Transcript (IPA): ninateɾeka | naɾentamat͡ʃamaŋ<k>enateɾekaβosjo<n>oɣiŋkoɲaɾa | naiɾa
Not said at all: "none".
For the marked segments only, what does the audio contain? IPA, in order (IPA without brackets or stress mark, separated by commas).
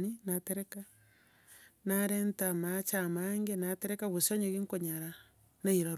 ɡ, ɲ